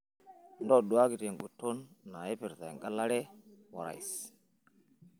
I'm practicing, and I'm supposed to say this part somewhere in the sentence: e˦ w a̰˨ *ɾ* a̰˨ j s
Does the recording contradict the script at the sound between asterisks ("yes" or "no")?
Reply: no